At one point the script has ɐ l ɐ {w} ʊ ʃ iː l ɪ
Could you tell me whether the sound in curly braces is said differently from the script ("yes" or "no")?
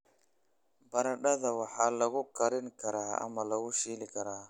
yes